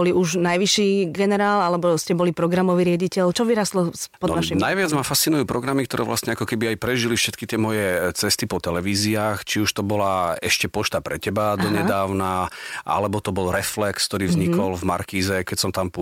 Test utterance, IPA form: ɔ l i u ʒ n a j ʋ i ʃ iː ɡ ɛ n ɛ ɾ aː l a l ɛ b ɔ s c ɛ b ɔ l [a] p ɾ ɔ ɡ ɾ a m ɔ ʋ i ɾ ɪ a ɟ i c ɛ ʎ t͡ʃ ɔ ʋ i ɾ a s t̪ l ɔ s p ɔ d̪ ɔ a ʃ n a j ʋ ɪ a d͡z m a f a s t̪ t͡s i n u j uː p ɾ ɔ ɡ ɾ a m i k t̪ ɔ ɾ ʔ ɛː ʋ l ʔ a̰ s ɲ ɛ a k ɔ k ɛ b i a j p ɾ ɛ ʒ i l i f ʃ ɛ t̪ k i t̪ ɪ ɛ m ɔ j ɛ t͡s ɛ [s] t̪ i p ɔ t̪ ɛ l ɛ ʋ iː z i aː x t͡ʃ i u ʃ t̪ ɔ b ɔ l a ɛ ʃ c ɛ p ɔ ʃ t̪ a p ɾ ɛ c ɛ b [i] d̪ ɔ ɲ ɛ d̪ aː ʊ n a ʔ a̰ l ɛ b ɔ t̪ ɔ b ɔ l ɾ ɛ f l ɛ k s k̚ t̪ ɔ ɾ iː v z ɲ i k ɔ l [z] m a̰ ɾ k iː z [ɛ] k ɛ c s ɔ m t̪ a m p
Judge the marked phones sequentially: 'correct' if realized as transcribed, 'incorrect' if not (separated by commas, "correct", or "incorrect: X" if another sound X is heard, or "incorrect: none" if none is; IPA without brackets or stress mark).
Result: incorrect: i, correct, incorrect: a, incorrect: v, correct